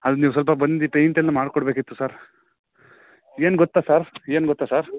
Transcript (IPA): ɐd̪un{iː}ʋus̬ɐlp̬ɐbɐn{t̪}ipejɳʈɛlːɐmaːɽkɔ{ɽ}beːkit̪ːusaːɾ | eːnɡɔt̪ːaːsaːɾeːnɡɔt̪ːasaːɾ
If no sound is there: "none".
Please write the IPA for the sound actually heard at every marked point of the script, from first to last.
iː, d̪, ɽ

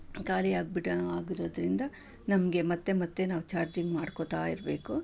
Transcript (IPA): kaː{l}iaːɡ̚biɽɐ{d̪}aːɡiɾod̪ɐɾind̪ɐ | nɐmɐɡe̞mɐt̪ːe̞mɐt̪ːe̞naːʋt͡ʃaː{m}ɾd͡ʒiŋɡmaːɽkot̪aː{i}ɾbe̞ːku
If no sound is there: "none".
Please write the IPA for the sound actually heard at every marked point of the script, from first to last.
l, none, none, i

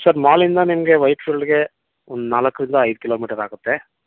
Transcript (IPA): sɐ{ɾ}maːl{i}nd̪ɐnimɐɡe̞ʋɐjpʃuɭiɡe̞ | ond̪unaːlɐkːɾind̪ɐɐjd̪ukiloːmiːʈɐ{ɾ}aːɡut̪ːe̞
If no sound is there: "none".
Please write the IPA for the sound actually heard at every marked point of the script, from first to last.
ɾ, i, ɾ

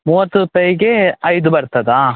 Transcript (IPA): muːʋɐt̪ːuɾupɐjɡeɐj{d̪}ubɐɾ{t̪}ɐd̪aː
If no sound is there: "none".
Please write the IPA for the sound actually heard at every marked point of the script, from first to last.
d̪, t̪

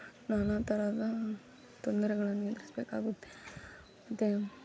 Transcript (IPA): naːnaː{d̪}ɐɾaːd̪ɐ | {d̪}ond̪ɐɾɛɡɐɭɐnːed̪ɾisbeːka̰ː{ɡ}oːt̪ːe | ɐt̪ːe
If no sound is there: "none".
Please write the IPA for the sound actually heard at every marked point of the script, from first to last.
t̪, t̪, ɡ

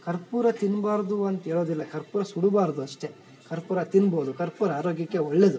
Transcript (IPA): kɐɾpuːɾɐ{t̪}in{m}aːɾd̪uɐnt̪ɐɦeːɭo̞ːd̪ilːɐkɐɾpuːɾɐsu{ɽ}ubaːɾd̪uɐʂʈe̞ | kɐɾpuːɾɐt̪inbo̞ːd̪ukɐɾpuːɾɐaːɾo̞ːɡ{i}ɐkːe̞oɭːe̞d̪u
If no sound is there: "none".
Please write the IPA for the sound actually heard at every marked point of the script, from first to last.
t̪, b, ɽ, j

